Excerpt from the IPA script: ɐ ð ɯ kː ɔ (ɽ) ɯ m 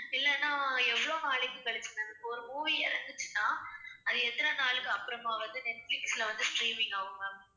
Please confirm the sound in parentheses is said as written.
no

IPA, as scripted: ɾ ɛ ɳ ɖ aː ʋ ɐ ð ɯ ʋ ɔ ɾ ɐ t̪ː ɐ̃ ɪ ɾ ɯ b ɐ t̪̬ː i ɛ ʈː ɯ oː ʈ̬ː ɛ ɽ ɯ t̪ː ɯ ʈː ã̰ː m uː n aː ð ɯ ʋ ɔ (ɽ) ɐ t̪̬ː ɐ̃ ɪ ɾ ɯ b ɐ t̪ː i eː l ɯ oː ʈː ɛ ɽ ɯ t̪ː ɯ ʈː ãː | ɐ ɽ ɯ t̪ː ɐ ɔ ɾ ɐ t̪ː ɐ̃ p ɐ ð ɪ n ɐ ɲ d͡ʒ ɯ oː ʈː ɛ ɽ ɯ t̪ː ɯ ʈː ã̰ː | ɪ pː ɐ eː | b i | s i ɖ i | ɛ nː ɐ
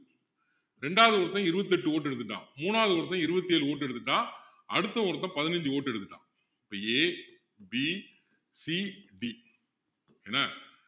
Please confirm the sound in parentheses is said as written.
no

